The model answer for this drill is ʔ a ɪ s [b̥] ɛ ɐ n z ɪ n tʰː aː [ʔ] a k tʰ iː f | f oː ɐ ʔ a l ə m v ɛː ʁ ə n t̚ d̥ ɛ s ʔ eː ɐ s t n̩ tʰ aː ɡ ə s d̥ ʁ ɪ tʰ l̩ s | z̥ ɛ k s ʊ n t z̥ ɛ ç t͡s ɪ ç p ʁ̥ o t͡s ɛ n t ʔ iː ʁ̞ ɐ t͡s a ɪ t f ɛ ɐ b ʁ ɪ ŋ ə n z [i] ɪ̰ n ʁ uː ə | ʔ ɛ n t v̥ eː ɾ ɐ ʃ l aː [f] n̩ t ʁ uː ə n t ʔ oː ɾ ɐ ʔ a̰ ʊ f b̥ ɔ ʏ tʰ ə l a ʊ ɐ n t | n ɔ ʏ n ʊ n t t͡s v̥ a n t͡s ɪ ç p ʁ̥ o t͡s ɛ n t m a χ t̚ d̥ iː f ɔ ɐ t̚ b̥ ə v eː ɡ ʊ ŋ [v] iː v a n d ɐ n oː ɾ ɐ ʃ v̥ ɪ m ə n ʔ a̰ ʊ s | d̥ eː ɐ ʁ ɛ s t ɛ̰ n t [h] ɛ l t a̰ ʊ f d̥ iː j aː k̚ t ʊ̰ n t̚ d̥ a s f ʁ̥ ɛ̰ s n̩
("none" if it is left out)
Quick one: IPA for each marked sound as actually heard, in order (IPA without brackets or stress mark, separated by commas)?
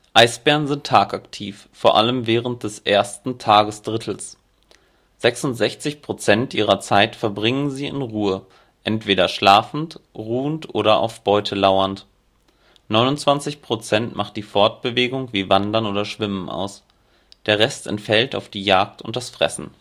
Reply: b̥, k, iː, f, v, f